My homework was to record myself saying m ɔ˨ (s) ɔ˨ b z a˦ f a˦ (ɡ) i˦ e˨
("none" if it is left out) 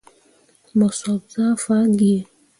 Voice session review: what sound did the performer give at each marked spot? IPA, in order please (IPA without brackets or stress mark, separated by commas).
s, ɡ